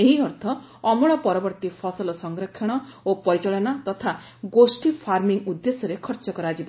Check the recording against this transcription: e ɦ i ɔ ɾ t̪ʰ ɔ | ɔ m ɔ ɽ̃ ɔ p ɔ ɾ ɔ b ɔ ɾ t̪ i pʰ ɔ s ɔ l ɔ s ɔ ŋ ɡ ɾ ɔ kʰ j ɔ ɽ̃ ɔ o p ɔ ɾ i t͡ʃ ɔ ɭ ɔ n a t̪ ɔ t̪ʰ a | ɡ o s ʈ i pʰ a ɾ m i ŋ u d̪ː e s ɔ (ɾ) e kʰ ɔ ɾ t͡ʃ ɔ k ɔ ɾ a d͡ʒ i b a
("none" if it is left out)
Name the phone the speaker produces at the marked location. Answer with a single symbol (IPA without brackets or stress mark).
ɾ